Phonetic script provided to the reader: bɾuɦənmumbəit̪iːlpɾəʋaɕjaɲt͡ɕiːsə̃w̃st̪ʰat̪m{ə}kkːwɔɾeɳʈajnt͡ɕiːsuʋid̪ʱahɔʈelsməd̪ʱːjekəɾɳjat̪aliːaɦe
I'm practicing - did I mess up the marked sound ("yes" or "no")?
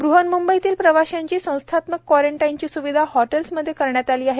no